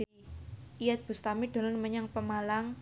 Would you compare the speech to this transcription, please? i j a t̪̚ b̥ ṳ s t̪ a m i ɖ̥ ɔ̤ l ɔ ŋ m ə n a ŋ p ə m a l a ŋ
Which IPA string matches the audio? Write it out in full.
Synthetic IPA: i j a t̪̚ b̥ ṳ s t̪ a m i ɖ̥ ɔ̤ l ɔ n m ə ɲ a ŋ p ə m a l a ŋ